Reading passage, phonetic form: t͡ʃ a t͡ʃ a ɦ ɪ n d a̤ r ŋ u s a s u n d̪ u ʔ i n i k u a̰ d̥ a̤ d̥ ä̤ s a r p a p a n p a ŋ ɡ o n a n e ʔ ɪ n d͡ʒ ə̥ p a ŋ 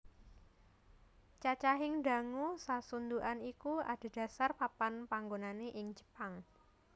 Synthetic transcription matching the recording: t͡ʃ a t͡ʃ a ɦ ɪ ŋ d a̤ ŋ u s a s u n d̪ u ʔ a n i k u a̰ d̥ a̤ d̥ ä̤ s a r p a p a n p a ŋ ɡ o n a n e ʔ ɪ ŋ d͡ʒ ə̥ p a ŋ

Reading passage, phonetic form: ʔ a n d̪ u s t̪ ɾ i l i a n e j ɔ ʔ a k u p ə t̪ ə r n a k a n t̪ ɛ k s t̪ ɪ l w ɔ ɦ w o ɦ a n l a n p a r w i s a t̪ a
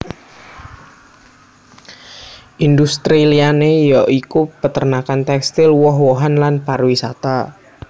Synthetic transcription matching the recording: ʔ i n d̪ u s t̪ ɾ i l i a n e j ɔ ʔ i k u p ə t̪ ə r n a k a n t̪ ɛ k s t̪ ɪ l w ɔ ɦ w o ɦ a n l a n p a r w i s a t̪ a

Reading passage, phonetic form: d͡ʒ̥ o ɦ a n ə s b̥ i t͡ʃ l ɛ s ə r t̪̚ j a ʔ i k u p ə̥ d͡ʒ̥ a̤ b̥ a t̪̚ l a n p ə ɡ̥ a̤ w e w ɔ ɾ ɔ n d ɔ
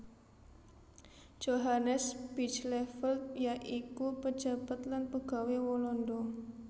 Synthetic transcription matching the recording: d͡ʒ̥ o ɦ a n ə s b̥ i t͡ʃ l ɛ f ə l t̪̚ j a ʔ i k u p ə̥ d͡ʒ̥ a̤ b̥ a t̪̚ l a n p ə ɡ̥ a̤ w e w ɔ l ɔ n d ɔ

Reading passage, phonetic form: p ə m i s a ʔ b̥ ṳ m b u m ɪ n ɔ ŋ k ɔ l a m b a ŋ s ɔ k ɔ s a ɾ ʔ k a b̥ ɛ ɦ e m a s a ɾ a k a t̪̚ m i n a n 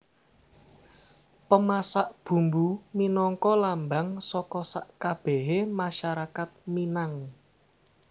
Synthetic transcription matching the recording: p ə m a s a ʔ b̥ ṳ m b u m i n ɔ ŋ k ɔ l a m b a ŋ s ɔ k ɔ s a ʔ k a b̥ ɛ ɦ e m a ʃ a ɾ a k a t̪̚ m i n a ŋ

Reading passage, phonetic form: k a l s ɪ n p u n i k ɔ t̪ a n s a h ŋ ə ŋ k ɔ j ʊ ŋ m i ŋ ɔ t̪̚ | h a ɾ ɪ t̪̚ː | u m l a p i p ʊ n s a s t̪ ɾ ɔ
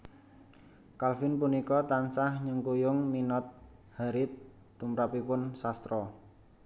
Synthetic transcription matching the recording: k a l f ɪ n p u n i k ɔ t̪ a n s a h ɲ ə ŋ k u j ʊ ŋ m i n ɔ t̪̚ | h a ɾ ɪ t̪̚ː | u m ɾ a p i p ʊ n s a s t̪ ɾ ɔ

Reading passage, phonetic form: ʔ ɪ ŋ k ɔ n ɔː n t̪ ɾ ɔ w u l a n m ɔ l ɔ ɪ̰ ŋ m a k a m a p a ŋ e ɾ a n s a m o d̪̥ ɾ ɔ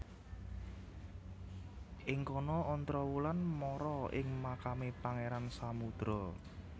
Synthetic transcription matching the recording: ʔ ɪ ŋ k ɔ n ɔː n t̪ ɾ ɔ w u l a n m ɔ ɾ ɔ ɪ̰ ŋ m a k a m e p a ŋ e ɾ a n s a m u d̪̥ ɾ ɔ

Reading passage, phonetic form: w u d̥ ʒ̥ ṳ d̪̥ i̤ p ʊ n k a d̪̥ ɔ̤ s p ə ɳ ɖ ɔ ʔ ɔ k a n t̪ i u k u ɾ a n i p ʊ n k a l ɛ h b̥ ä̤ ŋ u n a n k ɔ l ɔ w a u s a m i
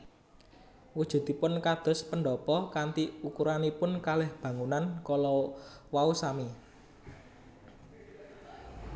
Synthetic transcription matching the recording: w u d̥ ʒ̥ ṳ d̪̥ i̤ p ʊ n k a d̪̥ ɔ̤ s p ə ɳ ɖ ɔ p ɔ k a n t̪ i u k u ɾ a n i p ʊ n k a l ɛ h b̥ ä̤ ŋ u n a n k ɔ l ɔ w a u s a m i

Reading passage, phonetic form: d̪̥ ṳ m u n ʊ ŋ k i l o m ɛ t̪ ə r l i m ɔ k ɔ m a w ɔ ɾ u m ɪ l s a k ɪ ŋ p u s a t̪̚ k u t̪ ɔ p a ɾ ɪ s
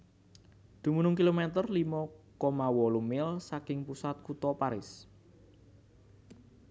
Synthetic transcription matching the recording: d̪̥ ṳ m u n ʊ ŋ k i l o m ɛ t̪ ə r l i m ɔ k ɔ m a w ɔ l u m ɪ l s a k ɪ ŋ p u s a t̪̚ k u t̪ ɔ p a ɾ ɪ s

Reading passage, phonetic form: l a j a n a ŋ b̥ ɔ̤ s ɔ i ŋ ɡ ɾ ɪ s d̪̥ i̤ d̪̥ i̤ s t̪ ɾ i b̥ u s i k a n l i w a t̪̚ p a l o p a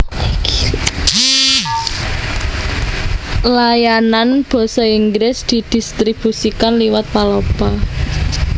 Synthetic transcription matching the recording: l a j a n a n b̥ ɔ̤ s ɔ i ŋ ɡ ɾ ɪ s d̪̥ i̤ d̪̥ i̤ s t̪ ɾ i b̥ u s i k a n l i w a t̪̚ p a l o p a

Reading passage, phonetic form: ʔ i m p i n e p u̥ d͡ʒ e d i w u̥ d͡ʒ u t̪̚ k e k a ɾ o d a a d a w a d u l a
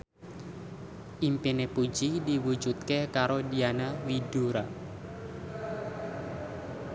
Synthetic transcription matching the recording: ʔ i m p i n e p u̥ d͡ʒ i d i w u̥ d͡ʒ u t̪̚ k e k a ɾ o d i a n a w i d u ɾ a

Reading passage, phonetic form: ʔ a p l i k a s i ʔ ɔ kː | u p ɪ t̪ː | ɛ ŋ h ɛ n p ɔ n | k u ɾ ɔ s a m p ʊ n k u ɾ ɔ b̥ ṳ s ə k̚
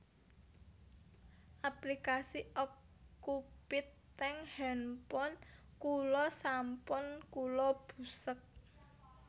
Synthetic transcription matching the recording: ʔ a p l i k a s i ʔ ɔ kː | u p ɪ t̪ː | ɛ ŋ h ɛ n p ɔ n | k u l ɔ s a m p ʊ n k u l ɔ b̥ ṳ s ə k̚

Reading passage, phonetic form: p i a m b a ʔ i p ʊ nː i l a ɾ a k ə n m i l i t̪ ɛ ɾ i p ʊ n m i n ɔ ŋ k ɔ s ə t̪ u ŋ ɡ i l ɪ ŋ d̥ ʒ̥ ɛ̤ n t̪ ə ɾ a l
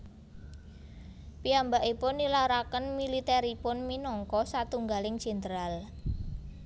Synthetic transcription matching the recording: p i a m b a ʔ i p ʊ nː i l a ɾ a k ə n m i l i t̪ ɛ ɾ i p ʊ n m i n ɔ ŋ k ɔ s a t̪ u ŋ ɡ a l ɪ ŋ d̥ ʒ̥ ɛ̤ n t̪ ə ɾ a l

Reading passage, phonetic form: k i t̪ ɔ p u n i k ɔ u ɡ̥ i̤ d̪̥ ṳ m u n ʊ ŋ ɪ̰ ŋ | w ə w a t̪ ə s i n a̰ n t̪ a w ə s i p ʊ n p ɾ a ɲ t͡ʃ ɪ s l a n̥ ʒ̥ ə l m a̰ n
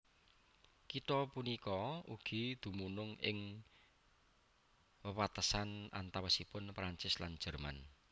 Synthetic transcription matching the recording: k i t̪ ɔ p u n i k ɔ u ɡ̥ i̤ d̪̥ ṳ m u n ʊ ŋ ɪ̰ ŋ | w ə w a t̪ ə s a n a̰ n t̪ a w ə s i p ʊ n p ɾ a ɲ t͡ʃ ɪ s l a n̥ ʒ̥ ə r m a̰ n

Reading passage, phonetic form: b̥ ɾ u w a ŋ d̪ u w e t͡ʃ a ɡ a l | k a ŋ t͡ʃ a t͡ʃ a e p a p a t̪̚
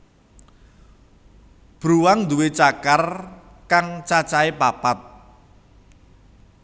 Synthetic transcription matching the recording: b̥ ɾ u w a ŋ d̪ u w e t͡ʃ a k a r | k a ŋ t͡ʃ a t͡ʃ a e p a p a t̪̚

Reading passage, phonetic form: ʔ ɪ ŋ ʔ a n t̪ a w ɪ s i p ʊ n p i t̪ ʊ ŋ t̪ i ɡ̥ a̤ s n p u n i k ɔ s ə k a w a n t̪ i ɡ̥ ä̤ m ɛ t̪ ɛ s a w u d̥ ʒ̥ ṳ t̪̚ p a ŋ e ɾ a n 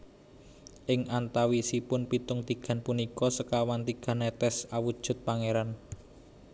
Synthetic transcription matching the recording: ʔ ɪ ŋ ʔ a n t̪ a w i s i p ʊ n p i t̪ ʊ ŋ t̪ i ɡ̥ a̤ n p u n i k ɔ s ə k a w a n t̪ i ɡ̥ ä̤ n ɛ t̪ ɛ s a w u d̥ ʒ̥ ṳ t̪̚ p a ŋ e ɾ a n

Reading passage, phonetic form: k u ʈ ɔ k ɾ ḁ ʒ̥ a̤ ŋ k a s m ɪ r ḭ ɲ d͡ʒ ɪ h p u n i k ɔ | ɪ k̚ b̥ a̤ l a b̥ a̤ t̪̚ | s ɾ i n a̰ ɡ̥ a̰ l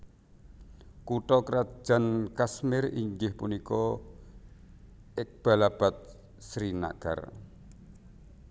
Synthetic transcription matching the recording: k u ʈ ɔ k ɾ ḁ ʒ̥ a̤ n k a s m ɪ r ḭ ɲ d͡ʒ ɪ h p u n i k ɔ | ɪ k̚ b̥ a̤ l a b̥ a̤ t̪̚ | s ɾ i n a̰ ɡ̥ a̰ r

